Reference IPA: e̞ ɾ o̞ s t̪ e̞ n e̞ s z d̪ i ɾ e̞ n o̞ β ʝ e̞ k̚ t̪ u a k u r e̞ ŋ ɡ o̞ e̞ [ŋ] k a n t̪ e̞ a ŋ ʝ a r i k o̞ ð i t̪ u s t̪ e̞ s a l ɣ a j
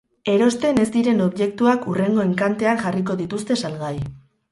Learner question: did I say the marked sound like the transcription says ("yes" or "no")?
yes